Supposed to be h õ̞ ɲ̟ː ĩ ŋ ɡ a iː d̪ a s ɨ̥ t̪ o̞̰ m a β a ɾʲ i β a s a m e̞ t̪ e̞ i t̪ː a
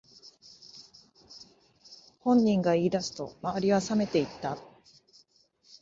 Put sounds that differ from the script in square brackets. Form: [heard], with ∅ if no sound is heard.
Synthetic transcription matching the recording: h õ̞ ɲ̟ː ĩ ŋ ɡ a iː d̪ a s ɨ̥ t̪ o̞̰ m a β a ɾʲ i β a s a m e̞ t̪ e̞ i t̪ː a